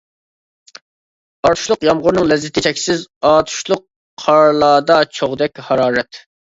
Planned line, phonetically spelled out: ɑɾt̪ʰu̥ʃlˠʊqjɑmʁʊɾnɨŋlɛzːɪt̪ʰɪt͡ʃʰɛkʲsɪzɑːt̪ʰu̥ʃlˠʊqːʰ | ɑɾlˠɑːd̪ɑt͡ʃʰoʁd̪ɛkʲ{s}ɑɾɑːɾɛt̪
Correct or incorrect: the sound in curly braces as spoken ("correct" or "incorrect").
incorrect